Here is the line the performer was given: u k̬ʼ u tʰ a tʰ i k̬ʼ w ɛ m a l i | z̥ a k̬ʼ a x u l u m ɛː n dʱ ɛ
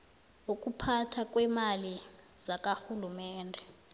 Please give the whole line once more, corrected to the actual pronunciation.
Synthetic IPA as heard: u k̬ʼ u pʰ a tʰ a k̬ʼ w ɛ m a l i | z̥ a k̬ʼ a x u l u m ɛː n dʱ ɛ